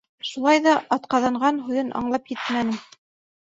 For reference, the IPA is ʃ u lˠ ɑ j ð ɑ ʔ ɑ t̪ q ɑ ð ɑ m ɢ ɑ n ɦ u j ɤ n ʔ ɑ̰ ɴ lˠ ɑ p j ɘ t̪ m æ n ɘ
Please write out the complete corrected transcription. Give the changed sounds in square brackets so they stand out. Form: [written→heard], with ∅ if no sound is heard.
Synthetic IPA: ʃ u lˠ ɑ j ð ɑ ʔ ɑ t̪ q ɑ ð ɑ [m→ɴ] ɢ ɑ n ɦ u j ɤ n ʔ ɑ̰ ɴ lˠ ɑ p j ɘ t̪ m æ n ɘ